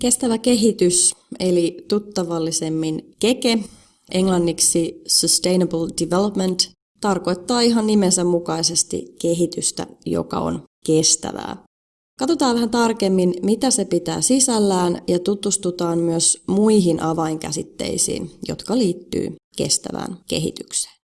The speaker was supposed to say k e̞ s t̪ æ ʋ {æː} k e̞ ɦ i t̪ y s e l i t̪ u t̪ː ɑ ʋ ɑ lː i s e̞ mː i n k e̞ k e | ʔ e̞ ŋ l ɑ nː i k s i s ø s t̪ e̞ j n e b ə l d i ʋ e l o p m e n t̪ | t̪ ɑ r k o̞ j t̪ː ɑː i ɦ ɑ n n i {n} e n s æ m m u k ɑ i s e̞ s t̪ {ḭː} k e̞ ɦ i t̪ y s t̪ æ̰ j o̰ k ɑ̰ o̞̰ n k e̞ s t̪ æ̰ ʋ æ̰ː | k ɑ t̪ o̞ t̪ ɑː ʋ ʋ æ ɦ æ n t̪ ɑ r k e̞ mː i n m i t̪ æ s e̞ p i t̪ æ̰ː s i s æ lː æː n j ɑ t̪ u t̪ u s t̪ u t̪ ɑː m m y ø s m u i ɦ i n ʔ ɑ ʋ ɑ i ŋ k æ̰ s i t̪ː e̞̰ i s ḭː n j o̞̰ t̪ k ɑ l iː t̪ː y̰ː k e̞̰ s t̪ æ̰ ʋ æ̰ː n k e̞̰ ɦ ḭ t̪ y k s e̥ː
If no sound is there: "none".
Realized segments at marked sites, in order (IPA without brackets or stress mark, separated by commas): æ, m, ḭ